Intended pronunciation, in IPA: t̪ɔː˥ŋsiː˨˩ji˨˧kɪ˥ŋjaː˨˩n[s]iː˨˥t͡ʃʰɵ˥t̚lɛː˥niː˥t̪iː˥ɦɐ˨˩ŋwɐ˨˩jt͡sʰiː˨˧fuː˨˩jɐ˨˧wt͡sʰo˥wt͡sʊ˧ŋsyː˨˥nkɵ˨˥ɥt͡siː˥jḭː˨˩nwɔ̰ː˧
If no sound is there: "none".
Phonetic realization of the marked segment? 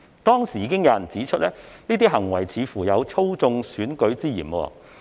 t͡s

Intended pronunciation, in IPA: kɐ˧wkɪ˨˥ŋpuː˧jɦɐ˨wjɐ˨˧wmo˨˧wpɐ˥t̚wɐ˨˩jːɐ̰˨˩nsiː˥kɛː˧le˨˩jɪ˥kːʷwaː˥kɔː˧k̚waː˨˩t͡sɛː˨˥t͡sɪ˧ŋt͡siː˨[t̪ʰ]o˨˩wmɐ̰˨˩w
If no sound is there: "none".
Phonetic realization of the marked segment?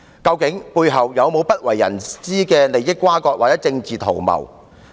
t̪ʰ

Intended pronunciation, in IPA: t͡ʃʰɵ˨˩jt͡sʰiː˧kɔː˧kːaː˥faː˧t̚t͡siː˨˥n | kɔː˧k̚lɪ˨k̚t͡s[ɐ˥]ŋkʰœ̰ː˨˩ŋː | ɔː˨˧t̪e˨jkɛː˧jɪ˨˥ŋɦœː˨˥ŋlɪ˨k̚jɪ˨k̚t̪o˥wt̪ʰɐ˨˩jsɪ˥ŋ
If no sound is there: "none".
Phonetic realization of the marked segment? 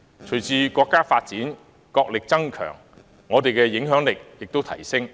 ɐ˥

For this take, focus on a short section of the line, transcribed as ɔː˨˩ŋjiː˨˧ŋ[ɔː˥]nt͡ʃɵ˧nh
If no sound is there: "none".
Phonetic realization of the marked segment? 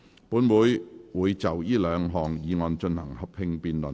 ɔː˧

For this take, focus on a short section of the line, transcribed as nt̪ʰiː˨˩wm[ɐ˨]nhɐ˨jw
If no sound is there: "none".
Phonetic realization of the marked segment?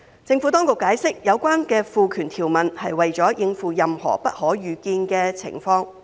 ɐ˨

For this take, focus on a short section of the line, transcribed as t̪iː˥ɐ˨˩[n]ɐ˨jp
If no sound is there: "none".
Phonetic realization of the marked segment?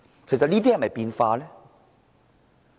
m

